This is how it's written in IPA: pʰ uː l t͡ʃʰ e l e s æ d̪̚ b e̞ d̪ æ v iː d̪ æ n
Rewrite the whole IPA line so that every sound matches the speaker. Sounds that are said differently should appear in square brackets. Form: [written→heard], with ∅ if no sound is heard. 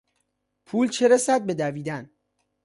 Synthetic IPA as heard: pʰ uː l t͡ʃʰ e [l→ɾ] e s æ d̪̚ b e̞ d̪ æ v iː d̪ æ n